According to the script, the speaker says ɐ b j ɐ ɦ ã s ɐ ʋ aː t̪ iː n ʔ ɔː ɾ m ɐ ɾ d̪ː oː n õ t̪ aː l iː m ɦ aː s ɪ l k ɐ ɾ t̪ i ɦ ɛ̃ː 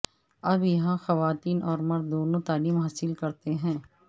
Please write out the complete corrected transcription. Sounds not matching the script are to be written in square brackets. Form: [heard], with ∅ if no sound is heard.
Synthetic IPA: ɐ b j ɐ ɦ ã [x] ɐ ʋ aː t̪ iː n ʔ ɔː ɾ m ɐ ɾ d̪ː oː n õ t̪ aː l iː m ɦ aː s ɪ l k ɐ ɾ t̪ [e] ɦ ɛ̃ː